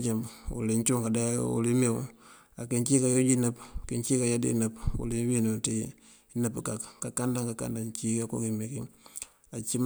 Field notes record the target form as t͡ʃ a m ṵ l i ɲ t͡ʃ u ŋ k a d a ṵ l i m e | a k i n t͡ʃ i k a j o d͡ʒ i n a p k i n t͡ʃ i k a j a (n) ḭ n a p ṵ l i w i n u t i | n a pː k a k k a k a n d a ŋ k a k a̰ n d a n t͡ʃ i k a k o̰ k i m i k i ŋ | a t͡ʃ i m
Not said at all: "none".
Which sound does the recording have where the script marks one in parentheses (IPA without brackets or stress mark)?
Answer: d